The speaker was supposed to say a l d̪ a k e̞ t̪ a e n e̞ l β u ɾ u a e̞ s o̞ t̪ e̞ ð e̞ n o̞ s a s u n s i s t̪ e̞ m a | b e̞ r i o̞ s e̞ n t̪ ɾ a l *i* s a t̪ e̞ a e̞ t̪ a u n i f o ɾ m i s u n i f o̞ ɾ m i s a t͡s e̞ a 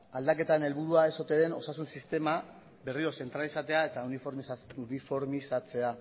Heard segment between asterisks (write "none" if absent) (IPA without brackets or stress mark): i